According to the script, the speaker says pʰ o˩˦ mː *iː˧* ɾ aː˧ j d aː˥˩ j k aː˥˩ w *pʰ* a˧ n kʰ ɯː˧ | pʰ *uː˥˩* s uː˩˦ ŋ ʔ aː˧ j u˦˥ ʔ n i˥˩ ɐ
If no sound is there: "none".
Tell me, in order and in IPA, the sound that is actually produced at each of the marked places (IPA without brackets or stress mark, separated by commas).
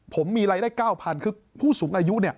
iː˧, pʰ, uː˥˩